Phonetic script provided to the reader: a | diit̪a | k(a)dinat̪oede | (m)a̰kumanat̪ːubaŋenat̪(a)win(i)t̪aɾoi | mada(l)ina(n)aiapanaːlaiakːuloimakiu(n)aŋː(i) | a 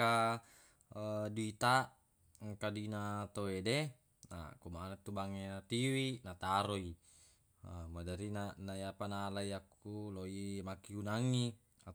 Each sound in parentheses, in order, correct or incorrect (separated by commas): correct, incorrect, incorrect, incorrect, incorrect, correct, correct, correct